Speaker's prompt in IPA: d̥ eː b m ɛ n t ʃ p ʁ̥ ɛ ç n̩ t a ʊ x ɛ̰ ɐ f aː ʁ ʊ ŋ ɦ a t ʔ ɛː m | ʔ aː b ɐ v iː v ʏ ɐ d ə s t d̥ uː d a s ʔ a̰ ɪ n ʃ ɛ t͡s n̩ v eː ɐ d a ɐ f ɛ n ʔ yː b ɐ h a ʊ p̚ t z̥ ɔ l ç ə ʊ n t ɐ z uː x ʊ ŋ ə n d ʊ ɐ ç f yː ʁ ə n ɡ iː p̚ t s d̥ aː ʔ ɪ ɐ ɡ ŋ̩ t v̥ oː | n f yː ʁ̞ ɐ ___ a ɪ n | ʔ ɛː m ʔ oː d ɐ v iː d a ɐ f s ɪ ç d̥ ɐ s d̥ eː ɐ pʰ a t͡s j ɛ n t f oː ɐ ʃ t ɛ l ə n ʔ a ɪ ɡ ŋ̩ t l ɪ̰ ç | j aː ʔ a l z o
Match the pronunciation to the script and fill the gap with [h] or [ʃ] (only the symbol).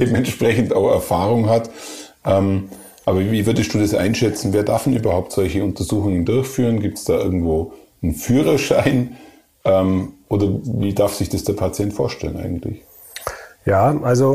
ʃ